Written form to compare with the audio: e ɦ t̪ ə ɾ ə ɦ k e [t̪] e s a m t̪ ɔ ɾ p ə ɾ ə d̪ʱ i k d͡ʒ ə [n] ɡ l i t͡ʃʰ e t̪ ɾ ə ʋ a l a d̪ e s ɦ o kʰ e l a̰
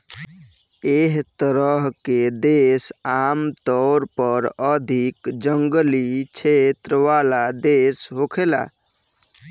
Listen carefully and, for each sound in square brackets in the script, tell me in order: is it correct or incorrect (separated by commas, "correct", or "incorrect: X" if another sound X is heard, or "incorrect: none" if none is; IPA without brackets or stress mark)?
incorrect: d̪, incorrect: ŋ